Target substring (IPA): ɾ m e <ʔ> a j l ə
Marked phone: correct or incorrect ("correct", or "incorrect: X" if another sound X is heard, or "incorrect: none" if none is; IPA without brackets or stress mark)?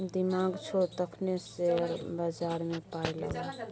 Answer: incorrect: p